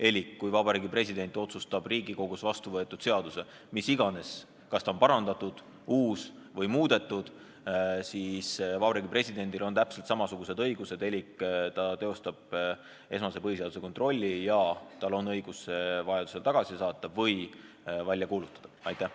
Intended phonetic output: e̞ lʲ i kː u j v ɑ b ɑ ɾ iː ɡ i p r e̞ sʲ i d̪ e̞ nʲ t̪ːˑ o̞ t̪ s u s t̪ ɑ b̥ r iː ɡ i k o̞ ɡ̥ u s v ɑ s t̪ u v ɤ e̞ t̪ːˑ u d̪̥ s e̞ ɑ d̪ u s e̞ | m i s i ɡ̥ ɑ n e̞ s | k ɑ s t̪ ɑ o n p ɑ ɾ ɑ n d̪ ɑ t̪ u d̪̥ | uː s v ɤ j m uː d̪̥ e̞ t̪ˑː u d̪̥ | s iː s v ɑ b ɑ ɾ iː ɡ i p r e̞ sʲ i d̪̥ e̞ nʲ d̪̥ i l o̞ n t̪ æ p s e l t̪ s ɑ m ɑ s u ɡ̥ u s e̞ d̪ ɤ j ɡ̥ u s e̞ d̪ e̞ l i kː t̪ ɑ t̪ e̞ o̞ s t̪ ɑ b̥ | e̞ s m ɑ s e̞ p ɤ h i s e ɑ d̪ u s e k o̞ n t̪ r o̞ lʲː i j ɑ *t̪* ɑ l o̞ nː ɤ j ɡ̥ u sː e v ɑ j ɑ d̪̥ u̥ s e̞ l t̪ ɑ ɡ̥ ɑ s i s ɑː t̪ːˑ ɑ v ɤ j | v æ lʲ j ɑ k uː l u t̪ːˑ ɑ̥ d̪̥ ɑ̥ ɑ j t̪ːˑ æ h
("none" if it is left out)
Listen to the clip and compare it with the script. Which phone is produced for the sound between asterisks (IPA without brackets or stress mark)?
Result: t̪